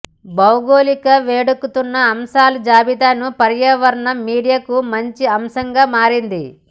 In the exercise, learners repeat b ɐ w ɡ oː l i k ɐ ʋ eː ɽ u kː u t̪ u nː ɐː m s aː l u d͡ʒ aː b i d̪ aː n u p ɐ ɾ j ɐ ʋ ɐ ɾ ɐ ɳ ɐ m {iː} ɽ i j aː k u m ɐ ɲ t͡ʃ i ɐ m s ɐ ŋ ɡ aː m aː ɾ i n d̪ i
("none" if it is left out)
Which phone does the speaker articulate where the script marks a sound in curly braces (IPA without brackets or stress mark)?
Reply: iː